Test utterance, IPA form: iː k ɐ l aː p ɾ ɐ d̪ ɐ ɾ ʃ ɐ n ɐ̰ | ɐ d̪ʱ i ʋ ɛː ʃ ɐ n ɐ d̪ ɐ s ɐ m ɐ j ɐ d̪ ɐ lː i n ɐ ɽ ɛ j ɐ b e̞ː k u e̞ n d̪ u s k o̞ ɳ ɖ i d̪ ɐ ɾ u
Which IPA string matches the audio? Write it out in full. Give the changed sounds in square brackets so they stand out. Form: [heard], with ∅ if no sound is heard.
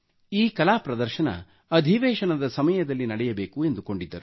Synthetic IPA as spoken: iː k ɐ l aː p ɾ ɐ d̪ ɐ ɾ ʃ ɐ n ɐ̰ | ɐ d̪ʱ i ʋ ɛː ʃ ɐ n ɐ d̪ ɐ s ɐ m ɐ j ɐ d̪ ɐ lː i n ɐ ɽ ɛ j ɐ b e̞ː k u e̞ n d̪ u [∅] k o̞ ɳ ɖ i [d̪ː] ɐ ɾ u